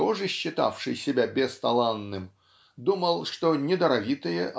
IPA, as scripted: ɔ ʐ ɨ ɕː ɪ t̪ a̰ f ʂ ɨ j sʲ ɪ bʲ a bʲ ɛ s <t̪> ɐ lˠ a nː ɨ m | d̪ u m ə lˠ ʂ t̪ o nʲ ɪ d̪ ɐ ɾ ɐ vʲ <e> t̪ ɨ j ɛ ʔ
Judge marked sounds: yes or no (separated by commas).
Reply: yes, no